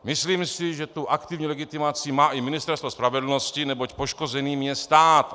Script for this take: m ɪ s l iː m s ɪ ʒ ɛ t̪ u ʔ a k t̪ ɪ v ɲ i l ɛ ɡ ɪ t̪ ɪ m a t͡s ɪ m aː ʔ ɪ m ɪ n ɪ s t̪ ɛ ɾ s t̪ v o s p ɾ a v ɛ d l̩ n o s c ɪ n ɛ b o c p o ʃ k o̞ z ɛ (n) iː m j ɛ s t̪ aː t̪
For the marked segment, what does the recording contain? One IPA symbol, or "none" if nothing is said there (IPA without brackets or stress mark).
n